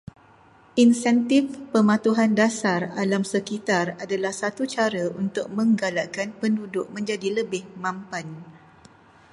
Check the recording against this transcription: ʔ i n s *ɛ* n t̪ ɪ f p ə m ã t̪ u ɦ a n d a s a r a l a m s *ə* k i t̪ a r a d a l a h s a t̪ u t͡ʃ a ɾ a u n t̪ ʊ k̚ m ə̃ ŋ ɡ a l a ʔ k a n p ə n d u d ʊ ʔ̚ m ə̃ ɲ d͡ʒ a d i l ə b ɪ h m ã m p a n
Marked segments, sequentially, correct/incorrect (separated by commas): correct, correct